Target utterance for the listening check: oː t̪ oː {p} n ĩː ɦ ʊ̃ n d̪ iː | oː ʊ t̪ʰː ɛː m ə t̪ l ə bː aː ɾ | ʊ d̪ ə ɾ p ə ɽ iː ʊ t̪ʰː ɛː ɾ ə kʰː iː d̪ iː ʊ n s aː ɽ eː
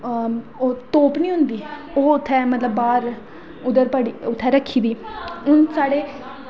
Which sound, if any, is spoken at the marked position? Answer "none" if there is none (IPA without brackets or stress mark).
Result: p